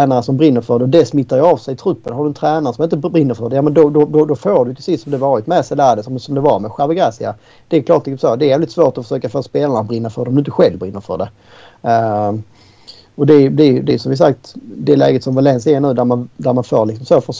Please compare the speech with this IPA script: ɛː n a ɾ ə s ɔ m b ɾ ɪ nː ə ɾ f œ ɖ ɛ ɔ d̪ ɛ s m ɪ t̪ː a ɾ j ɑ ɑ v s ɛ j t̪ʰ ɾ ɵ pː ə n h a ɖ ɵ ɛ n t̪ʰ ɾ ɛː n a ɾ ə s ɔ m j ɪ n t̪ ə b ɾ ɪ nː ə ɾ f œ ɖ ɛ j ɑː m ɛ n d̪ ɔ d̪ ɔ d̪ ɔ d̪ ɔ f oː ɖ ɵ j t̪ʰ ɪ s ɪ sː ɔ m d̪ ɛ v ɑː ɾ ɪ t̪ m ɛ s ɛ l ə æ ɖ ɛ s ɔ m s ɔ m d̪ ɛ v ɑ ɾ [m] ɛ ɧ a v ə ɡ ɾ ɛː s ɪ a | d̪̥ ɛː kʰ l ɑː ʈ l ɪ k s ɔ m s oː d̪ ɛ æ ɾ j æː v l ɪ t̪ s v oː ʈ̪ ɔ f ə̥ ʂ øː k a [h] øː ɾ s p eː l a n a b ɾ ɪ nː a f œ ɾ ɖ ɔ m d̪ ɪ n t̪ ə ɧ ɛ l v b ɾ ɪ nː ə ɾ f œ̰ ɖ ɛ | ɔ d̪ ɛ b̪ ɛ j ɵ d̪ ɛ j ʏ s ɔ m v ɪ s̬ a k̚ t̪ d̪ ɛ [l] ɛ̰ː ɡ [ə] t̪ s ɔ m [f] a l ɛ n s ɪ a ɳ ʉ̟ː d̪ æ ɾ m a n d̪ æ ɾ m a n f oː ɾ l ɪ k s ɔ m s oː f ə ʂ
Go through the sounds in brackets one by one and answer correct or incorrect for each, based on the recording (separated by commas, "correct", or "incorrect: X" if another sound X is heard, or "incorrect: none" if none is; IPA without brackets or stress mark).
correct, incorrect: f, correct, correct, incorrect: v